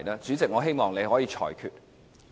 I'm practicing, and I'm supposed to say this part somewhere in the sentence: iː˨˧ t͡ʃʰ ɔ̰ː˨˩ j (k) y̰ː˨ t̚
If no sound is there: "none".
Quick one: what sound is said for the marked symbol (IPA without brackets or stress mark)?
kʰ